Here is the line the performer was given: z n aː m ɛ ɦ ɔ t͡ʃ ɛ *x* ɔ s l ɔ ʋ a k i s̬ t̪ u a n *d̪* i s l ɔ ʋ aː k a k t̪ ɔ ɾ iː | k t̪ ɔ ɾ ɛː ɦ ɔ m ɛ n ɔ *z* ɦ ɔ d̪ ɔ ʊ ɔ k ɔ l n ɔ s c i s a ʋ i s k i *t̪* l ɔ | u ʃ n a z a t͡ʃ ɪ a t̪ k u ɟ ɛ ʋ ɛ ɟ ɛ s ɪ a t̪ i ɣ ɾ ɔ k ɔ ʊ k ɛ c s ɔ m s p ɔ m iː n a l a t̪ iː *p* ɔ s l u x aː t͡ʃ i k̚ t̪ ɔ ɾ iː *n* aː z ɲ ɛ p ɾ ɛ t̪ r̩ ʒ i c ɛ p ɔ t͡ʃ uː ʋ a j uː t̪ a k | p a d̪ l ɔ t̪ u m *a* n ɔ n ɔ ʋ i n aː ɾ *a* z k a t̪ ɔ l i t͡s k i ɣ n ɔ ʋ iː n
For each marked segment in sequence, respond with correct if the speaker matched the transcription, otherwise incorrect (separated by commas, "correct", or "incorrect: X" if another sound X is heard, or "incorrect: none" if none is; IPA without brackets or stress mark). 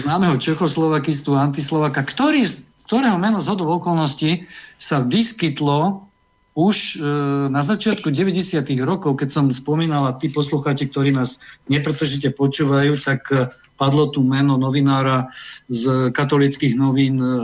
correct, incorrect: t̪, correct, correct, correct, correct, incorrect: ɛ, correct